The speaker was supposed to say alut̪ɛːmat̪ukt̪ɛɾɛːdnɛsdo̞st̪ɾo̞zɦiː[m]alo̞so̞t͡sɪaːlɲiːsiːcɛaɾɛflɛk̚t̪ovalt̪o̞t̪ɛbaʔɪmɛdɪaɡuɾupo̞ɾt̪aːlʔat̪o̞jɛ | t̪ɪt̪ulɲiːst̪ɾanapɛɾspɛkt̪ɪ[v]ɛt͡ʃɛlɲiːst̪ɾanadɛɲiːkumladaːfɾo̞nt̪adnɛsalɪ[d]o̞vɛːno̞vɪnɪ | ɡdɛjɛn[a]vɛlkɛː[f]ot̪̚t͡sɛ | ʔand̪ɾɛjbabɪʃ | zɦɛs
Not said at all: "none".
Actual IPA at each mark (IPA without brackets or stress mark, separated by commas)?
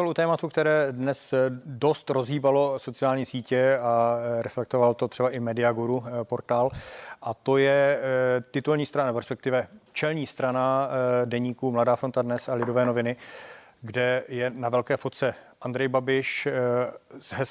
b, v, d, a, f